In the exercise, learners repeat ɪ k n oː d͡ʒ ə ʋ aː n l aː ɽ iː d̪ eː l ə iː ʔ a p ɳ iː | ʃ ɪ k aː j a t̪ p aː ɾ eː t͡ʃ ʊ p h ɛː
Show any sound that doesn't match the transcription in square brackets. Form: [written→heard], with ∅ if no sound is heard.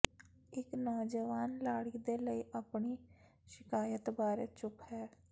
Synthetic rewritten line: ɪ k n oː d͡ʒ ə ʋ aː n l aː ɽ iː d̪ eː l ə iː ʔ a p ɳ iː | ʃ ɪ k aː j [a→ə] t̪ [p→b] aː ɾ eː t͡ʃ ʊ p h ɛː